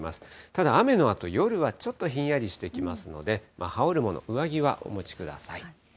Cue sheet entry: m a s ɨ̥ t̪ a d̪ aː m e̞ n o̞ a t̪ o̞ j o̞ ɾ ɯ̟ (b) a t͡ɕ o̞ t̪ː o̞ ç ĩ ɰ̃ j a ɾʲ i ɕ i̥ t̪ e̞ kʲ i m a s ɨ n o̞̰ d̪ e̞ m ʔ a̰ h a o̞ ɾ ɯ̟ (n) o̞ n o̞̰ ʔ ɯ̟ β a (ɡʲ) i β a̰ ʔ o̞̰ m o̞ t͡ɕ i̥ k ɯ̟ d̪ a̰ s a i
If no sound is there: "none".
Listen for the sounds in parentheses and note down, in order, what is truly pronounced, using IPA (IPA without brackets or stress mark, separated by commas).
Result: β, m, ɡʲ